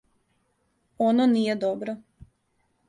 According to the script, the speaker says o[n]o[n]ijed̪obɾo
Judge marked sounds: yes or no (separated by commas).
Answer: yes, yes